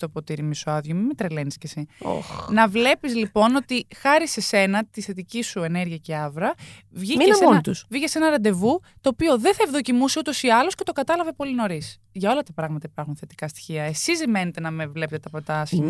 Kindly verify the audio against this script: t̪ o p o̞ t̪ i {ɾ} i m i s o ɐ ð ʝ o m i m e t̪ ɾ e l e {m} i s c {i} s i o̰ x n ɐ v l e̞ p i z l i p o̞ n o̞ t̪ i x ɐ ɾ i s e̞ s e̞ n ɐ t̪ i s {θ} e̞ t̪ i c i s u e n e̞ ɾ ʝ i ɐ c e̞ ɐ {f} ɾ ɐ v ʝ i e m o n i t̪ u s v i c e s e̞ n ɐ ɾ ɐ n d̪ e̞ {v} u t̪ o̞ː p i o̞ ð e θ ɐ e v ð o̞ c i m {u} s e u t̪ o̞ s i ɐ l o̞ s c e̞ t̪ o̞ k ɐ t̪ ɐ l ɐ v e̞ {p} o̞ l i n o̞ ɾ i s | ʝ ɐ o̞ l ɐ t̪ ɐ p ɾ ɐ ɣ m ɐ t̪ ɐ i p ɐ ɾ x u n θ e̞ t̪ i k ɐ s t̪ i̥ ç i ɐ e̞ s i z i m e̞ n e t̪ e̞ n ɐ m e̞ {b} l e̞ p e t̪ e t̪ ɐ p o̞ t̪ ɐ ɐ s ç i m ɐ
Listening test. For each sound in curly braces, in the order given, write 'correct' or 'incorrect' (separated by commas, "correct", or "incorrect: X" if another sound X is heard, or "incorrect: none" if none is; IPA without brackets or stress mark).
correct, incorrect: n, incorrect: e, correct, incorrect: v, correct, correct, correct, incorrect: v